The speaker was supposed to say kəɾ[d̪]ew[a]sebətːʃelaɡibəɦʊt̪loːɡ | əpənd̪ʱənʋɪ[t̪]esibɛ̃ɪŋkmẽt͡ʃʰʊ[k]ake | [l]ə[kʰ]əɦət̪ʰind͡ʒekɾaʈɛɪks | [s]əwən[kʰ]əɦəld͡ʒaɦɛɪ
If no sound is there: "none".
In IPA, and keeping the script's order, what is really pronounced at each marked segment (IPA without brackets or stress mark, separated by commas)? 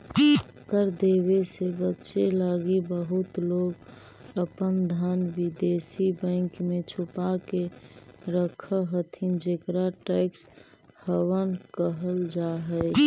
d̪, e, d̪, p, ɾ, kʰ, h, k